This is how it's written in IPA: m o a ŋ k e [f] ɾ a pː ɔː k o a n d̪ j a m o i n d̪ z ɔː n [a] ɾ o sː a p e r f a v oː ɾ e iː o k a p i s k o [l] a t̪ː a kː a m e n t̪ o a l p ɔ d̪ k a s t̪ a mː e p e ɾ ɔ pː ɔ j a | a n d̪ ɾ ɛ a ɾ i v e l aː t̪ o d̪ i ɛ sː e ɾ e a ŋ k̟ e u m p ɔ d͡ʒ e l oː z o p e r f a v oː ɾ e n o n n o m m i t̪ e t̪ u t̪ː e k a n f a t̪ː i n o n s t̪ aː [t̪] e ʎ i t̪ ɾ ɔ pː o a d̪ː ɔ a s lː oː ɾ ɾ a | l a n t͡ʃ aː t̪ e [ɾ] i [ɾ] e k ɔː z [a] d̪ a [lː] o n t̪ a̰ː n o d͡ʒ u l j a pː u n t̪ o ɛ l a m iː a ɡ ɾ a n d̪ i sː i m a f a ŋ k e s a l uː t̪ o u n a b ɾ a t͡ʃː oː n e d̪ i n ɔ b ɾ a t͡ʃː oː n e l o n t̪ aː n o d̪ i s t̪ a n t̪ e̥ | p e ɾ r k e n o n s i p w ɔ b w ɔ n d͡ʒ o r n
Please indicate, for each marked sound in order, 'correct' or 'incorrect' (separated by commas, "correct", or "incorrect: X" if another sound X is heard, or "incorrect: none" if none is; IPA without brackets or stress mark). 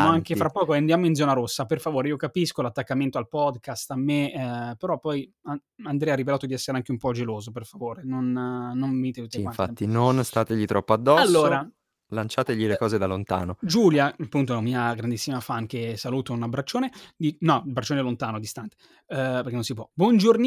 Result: correct, correct, correct, correct, incorrect: ʎ, incorrect: l, incorrect: e, incorrect: l